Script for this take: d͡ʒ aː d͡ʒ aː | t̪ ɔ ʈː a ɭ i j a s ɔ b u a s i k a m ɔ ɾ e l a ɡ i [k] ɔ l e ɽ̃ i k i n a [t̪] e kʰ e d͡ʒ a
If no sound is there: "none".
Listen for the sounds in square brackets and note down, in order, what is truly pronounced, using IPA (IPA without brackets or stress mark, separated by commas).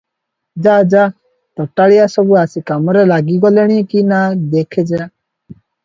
ɡ, d̪